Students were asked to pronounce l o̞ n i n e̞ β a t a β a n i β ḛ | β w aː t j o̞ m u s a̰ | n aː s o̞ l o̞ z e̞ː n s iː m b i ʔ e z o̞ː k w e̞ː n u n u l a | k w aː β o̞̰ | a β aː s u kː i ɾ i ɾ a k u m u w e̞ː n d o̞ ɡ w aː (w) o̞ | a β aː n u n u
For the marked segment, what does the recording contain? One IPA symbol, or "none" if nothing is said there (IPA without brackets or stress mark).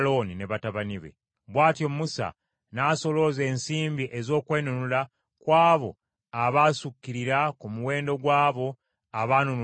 β